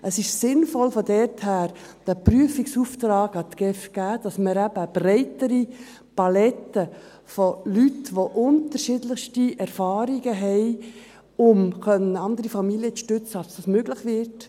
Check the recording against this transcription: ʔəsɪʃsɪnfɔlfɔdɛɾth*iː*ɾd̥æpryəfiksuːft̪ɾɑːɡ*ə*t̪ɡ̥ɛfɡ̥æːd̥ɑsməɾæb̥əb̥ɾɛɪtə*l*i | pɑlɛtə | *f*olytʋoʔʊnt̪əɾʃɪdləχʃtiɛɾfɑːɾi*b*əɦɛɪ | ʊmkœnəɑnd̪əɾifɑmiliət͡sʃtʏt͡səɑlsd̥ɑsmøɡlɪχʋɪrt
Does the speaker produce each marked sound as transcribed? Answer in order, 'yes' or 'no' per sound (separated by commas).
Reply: no, no, no, yes, no